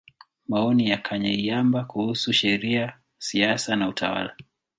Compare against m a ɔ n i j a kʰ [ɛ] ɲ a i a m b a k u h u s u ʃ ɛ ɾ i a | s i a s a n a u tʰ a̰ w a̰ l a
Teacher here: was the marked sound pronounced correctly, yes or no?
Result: no